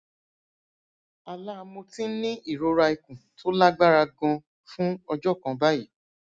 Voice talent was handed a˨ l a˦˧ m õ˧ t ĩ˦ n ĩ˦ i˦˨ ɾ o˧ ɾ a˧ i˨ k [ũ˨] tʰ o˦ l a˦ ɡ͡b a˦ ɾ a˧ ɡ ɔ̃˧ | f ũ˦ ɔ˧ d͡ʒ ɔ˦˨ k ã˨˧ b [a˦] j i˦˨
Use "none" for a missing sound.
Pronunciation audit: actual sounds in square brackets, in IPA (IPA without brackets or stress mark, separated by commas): ũ˨, a˦